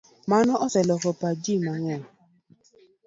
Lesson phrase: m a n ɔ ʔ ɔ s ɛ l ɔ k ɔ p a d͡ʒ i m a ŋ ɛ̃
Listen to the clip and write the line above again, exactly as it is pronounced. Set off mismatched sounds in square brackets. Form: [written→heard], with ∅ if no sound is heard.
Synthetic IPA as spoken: m a n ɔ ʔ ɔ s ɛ l ɔ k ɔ p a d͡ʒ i m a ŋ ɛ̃